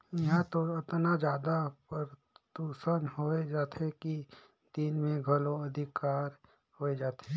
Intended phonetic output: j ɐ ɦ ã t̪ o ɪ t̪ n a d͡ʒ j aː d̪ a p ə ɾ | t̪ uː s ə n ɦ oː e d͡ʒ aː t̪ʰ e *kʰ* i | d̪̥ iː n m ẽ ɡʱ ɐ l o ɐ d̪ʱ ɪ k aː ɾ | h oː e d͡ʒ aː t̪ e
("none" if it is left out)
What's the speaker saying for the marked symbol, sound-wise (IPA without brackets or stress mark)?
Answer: k